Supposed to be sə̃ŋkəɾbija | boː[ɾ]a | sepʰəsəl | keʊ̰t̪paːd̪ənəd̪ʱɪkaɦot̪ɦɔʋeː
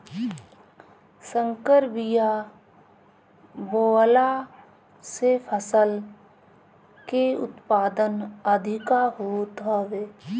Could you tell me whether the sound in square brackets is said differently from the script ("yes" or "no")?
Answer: yes